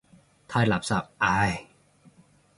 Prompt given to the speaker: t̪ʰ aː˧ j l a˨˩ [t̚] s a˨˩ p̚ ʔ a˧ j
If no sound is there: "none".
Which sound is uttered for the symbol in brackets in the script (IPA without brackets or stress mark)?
p̚